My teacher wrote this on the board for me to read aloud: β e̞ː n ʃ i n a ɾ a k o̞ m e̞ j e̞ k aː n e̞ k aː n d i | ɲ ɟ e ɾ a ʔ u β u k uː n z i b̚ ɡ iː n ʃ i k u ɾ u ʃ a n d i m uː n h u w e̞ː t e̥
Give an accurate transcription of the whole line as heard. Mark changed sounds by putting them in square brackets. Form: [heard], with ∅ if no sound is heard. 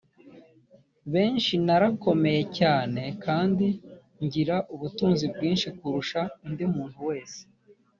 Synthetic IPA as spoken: β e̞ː n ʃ i n a ɾ a k o̞ m e̞ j e̞ [c] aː n e̞ k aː n d i | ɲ ɟ [i] ɾ a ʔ u β u [t] uː n z i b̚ ɡ iː n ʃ i k u ɾ u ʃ a n d i m uː n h u w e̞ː [s] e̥